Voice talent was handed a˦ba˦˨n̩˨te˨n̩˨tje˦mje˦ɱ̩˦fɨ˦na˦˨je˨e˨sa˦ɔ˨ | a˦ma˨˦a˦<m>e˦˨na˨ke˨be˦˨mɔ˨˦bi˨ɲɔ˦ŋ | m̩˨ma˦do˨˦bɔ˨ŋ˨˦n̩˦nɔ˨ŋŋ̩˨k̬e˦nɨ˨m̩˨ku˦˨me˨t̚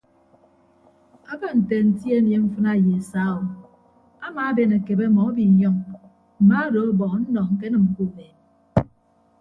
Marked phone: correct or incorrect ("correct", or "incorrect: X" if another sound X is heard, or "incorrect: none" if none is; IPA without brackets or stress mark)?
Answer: incorrect: b